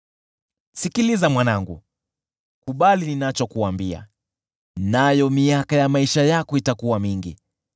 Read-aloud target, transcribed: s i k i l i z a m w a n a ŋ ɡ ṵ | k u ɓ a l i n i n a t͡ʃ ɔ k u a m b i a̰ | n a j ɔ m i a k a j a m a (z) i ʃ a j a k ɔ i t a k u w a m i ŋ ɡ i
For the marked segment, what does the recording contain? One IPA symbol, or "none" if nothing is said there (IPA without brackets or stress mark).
none